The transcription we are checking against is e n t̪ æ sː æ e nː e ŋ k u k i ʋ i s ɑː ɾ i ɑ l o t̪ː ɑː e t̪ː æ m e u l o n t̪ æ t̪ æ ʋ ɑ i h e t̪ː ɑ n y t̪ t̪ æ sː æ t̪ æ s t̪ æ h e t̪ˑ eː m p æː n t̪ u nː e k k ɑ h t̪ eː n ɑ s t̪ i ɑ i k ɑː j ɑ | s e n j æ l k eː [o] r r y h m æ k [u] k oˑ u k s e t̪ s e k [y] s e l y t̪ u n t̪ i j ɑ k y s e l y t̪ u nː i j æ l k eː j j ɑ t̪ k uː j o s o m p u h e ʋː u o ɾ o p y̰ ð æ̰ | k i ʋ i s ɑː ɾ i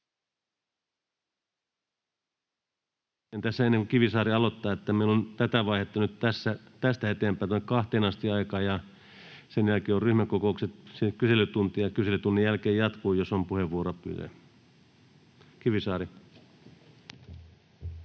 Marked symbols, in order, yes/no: yes, no, yes

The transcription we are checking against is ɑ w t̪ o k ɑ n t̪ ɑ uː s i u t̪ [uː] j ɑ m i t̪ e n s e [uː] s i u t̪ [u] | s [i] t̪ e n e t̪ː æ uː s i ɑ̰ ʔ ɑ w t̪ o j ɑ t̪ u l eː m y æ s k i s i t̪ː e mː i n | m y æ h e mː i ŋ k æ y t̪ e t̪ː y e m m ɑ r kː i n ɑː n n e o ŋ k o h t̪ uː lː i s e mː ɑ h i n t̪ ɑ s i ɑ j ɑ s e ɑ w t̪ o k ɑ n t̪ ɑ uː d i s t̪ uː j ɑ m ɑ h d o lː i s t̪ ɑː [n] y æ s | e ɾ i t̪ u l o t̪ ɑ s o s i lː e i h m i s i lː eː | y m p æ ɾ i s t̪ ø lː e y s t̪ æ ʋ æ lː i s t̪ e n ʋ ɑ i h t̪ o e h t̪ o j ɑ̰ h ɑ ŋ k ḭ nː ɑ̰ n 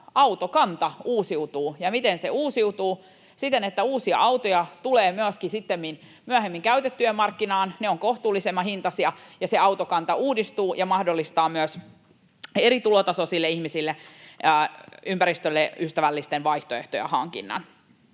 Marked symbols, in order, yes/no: yes, yes, no, yes, no

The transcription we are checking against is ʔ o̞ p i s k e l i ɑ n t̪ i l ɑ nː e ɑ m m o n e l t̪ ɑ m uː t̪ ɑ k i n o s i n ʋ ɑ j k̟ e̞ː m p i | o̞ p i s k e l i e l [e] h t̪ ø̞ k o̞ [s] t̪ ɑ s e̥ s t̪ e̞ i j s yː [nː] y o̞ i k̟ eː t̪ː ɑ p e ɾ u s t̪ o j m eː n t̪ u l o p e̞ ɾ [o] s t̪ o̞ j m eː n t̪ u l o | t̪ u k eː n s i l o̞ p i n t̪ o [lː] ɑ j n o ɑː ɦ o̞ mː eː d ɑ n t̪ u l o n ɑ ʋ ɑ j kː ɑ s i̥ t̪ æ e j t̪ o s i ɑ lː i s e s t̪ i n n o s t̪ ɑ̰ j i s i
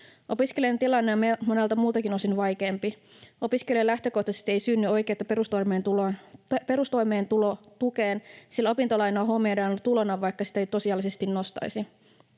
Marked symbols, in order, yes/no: no, no, yes, no, no

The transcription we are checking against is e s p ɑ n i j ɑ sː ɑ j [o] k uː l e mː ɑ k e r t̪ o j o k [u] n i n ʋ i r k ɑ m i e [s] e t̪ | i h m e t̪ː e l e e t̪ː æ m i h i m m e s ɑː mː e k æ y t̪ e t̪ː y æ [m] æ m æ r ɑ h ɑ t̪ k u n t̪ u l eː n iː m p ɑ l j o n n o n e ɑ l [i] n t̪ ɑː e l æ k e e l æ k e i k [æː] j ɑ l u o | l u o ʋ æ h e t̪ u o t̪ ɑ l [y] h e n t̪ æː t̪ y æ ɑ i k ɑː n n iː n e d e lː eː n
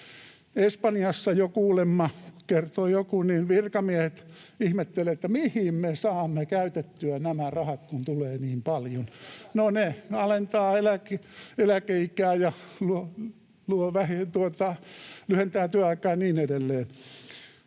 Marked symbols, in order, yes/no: yes, yes, no, no, no, yes, yes

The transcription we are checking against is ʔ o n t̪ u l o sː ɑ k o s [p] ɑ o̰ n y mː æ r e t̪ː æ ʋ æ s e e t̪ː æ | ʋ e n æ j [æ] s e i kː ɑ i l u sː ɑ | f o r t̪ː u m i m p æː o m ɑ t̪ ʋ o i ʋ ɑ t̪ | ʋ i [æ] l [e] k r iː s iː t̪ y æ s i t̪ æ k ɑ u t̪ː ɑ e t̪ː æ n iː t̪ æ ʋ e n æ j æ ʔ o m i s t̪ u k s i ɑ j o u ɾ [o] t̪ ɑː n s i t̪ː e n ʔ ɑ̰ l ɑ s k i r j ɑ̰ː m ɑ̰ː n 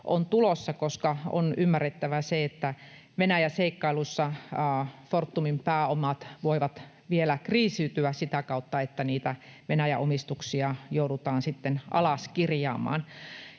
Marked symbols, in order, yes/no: no, yes, no, no, no

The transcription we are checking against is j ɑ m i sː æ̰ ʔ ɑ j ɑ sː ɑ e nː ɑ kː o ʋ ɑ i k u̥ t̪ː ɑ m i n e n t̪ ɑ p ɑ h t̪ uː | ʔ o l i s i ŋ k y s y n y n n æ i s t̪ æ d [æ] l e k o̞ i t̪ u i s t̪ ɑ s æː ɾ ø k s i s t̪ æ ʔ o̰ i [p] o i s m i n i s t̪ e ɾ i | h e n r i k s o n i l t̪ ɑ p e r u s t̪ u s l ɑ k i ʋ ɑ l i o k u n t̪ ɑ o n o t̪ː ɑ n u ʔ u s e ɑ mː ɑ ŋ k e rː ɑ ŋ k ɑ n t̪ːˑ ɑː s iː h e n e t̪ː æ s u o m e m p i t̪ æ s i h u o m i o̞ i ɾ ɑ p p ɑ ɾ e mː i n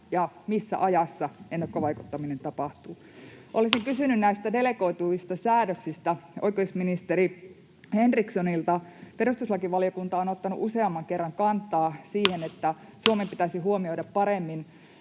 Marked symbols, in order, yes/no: no, no

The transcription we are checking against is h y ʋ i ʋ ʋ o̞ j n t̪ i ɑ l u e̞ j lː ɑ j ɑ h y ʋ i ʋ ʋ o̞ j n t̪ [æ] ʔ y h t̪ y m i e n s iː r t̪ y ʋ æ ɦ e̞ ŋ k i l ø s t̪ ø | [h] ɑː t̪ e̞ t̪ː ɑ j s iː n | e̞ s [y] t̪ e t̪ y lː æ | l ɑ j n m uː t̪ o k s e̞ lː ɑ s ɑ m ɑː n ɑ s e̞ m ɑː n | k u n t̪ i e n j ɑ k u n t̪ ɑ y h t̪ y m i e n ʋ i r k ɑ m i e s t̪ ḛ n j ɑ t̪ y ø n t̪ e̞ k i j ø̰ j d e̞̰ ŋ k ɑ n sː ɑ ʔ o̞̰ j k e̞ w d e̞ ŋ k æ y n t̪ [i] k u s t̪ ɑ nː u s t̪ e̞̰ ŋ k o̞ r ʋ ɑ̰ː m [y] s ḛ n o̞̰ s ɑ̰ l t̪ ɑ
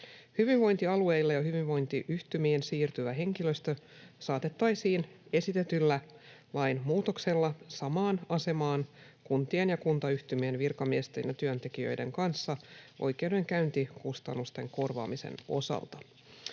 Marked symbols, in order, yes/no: no, no, no, yes, no

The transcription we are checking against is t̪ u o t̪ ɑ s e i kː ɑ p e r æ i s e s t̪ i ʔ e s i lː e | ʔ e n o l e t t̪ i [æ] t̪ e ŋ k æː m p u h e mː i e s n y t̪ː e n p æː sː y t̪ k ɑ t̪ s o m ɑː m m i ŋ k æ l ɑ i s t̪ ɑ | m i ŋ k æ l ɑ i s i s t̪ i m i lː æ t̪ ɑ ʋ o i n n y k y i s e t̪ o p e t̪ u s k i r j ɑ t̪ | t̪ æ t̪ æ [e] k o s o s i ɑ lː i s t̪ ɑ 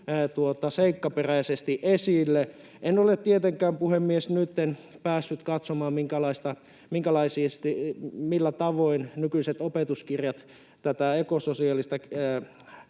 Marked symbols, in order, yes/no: no, yes

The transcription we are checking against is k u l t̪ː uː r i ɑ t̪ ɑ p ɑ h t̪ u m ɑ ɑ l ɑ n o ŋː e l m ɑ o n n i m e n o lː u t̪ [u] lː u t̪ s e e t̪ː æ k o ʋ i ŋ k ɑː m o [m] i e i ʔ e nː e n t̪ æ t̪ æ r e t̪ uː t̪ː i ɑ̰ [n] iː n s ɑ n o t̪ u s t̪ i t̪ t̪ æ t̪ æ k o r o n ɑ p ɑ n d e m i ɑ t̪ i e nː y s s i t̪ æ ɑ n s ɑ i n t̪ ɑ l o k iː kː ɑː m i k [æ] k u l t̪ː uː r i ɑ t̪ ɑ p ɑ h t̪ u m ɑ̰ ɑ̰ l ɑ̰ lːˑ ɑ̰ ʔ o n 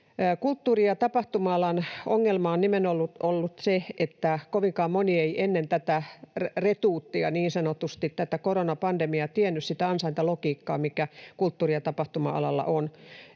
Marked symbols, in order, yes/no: no, no, yes, yes

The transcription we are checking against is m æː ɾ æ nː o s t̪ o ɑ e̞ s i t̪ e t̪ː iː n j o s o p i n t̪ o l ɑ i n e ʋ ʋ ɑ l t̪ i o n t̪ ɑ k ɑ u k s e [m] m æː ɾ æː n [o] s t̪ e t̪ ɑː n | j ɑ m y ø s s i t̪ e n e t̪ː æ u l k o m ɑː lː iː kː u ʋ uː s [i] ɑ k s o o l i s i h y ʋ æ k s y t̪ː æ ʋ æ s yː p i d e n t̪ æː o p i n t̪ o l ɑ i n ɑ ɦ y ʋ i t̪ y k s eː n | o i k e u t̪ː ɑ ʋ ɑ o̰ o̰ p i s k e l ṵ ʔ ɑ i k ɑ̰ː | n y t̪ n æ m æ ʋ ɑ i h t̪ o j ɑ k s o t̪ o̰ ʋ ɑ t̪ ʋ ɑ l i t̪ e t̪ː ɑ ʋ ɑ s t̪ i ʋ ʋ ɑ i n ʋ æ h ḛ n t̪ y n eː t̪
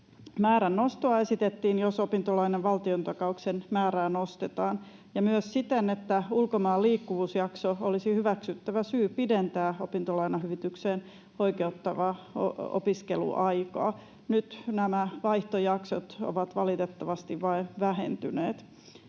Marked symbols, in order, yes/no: no, yes, no

